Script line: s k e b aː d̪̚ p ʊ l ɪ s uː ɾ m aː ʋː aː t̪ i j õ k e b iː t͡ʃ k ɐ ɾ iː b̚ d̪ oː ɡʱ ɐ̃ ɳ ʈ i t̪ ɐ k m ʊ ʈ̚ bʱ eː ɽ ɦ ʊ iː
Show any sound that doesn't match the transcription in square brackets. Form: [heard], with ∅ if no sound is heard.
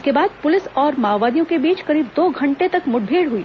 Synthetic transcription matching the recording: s k e b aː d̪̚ p ʊ l ɪ s [ɔː] ɾ m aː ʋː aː [d̪] i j õ k e b iː t͡ʃ k ɐ ɾ iː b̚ d̪ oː ɡʱ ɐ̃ ɳ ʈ [e] t̪ ɐ k m ʊ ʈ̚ bʱ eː ɽ ɦ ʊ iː